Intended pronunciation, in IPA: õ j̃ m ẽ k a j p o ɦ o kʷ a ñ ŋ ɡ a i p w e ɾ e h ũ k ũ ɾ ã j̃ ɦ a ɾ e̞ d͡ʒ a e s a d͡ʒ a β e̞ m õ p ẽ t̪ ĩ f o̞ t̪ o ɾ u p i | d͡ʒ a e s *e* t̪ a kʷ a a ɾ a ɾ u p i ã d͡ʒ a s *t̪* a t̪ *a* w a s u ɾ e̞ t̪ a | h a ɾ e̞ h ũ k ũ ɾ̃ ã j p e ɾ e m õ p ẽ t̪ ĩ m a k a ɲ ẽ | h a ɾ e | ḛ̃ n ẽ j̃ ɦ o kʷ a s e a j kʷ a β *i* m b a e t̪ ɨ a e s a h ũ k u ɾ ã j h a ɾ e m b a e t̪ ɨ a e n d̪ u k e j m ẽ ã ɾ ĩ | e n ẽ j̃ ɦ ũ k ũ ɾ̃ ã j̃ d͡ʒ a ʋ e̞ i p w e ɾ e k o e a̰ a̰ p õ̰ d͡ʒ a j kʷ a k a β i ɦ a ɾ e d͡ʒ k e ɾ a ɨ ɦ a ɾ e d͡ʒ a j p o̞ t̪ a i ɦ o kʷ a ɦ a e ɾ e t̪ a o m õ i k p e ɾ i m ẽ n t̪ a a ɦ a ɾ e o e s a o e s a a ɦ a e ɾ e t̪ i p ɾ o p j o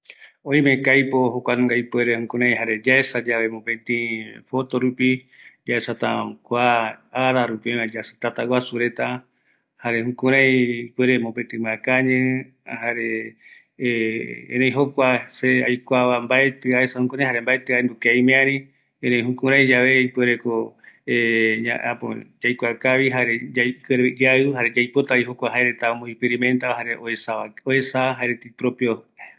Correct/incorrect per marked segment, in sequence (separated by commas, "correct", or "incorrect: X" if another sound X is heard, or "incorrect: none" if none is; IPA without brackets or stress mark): incorrect: a, correct, correct, incorrect: a